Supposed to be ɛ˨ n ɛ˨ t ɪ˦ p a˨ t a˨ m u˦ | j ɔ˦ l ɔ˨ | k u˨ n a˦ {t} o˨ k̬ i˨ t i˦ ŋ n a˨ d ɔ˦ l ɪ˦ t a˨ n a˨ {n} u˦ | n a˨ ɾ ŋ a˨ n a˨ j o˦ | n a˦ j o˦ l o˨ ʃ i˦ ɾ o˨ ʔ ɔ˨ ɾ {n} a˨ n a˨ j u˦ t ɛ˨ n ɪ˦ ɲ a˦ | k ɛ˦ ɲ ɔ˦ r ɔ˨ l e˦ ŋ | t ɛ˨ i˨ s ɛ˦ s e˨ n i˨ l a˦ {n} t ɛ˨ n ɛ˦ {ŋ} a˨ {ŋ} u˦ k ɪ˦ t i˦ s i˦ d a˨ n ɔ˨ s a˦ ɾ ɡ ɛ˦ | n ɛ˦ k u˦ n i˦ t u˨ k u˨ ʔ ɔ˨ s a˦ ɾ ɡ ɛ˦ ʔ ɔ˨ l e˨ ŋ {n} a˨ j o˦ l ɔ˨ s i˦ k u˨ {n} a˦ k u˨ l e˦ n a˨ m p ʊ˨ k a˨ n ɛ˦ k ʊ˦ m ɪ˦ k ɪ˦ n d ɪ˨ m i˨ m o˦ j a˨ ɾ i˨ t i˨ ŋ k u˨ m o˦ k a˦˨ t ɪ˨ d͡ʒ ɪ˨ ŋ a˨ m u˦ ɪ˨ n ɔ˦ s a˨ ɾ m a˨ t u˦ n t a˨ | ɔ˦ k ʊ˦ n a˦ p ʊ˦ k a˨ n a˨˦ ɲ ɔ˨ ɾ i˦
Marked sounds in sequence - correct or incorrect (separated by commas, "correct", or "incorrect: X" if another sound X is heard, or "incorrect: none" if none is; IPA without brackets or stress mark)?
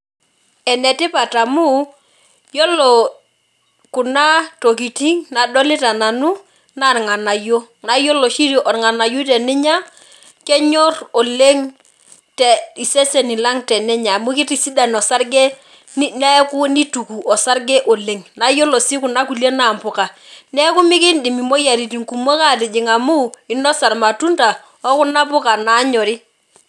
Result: correct, correct, incorrect: ŋ, incorrect: ŋ, incorrect: ɲ, incorrect: m, correct, correct